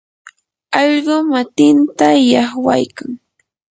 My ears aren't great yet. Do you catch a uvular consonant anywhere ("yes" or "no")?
yes